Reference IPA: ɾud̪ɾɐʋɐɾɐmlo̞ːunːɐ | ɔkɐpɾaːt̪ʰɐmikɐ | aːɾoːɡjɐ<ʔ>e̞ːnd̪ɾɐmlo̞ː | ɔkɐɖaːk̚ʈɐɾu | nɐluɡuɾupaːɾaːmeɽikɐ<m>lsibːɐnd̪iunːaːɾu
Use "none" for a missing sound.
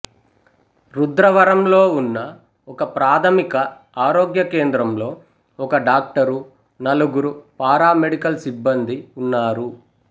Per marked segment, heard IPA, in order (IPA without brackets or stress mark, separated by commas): k, none